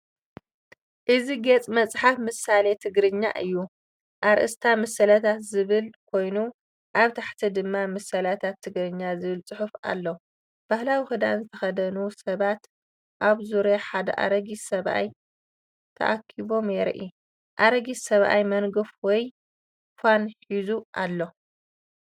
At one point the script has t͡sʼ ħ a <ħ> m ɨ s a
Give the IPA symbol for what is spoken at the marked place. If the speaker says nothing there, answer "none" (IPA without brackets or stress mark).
f